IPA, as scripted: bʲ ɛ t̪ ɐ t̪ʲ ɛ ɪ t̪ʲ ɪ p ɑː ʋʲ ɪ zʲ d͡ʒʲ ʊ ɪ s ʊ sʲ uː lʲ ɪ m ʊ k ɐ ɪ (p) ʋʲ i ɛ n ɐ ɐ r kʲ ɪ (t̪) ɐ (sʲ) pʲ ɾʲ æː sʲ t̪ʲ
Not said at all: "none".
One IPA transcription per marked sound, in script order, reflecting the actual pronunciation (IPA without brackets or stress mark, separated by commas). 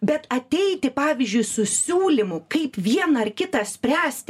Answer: p, t̪, sʲ